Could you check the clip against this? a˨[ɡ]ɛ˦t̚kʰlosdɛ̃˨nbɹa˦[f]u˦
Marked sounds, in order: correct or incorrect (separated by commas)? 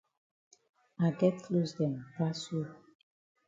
correct, incorrect